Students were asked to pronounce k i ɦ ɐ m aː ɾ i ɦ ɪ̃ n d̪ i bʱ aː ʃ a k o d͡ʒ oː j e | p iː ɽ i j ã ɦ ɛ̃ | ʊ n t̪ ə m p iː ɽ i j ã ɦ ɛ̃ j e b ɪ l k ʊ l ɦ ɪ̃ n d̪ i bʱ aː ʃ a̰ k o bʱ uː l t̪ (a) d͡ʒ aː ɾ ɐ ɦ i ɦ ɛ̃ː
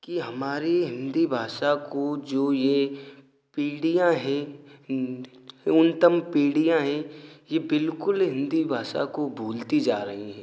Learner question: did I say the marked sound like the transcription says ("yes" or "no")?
no